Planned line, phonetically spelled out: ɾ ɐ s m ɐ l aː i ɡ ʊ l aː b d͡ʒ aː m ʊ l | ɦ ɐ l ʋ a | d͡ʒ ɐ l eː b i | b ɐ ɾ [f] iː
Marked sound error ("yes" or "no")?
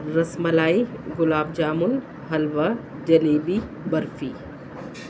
no